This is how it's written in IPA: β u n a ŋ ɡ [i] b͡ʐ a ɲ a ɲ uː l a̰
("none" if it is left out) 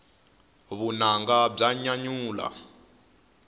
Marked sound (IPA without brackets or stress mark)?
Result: a